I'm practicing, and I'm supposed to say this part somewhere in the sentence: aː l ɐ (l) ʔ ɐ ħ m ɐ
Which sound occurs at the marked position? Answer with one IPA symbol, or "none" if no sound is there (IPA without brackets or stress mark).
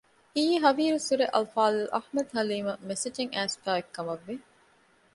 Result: l